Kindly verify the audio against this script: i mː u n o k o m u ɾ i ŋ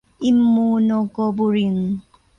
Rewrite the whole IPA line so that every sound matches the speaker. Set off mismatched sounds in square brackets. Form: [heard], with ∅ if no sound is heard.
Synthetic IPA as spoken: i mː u n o k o [b] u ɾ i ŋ